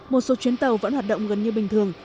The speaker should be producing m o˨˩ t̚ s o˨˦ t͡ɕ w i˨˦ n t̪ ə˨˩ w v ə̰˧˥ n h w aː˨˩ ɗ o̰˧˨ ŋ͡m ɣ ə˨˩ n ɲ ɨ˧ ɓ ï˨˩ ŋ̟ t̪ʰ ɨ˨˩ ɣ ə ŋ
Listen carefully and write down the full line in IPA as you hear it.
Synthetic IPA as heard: m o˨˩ t̚ s o˨˦ t͡ɕ w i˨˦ n t̪ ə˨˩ w v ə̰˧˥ n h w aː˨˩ ɗ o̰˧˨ ŋ͡m ɣ ə˨˩ n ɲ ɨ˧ ɓ ï˨˩ ŋ̟ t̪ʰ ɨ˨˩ ə ŋ